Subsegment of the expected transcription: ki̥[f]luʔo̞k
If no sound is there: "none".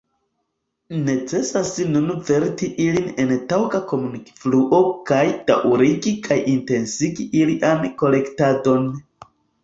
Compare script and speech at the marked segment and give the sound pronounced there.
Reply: f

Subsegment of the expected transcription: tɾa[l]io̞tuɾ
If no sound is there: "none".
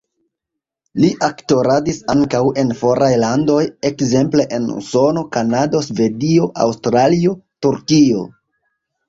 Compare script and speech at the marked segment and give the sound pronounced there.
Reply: l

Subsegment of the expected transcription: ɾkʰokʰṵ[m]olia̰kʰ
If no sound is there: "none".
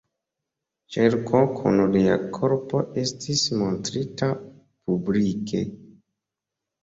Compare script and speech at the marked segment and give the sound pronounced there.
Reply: n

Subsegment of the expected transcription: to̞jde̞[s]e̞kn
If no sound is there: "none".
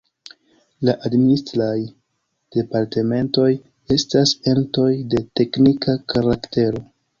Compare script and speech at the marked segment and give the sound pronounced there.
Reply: t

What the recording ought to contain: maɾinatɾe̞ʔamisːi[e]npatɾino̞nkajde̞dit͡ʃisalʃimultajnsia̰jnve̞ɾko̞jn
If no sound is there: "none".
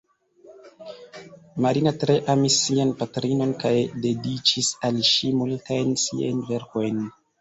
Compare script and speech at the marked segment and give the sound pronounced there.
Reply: a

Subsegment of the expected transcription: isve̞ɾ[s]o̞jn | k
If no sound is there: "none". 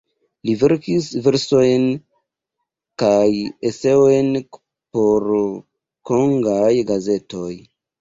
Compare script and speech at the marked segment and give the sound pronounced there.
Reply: s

